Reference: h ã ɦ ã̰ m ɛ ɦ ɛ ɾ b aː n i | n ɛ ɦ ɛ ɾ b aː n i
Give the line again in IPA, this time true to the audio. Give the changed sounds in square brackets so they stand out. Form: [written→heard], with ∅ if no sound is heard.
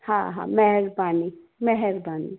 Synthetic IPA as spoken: h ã ɦ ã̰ m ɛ ɦ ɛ ɾ b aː n i | [n→m] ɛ ɦ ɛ ɾ b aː n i